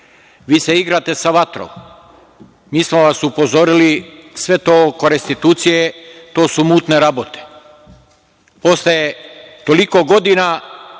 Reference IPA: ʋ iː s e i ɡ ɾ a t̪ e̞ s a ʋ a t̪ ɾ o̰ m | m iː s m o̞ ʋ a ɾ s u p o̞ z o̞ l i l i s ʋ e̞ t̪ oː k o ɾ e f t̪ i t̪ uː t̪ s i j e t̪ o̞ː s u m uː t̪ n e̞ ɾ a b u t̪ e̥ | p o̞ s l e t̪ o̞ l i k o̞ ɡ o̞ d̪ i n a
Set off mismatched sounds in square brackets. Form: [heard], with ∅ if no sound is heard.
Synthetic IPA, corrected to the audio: ʋ iː s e i ɡ ɾ a t̪ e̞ s a ʋ a t̪ ɾ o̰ m | m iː s m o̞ ʋ a [∅] s u p o̞ z o̞ [ɾ] i l i s ʋ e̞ t̪ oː k o ɾ e [s] t̪ i t̪ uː t̪ s i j e t̪ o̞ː s u m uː t̪ n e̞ ɾ a b [o] t̪ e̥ | p o̞ s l e t̪ o̞ l i k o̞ ɡ o̞ d̪ i n a